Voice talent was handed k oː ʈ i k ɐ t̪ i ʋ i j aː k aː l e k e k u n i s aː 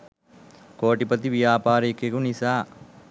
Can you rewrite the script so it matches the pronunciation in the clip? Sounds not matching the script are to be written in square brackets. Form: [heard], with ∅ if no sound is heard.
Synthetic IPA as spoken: k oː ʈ i [p] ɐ t̪ i ʋ i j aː [p] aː [ɾ] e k e k u n i s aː